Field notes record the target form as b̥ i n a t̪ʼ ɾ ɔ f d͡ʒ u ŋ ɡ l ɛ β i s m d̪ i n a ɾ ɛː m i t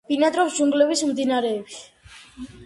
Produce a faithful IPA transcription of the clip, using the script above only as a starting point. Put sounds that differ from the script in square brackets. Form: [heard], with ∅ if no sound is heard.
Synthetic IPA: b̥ i n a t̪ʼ ɾ ɔ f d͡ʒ u ŋ ɡ l ɛ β i s m d̪ i n a ɾ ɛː [b] i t